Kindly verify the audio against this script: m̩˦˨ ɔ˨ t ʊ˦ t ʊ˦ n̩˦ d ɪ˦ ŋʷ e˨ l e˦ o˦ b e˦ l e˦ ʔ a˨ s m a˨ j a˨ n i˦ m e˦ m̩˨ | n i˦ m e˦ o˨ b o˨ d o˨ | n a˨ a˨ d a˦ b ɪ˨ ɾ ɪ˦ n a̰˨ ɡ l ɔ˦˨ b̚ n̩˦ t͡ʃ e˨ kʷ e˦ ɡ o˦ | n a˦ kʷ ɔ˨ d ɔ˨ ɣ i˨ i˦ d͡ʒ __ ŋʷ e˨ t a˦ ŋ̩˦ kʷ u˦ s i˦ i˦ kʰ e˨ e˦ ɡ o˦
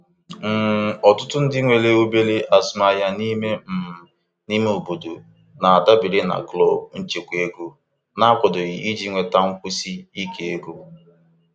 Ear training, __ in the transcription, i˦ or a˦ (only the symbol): i˦